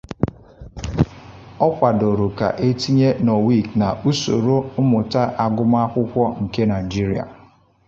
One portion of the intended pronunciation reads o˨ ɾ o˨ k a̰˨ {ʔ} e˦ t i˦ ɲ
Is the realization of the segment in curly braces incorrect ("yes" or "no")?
no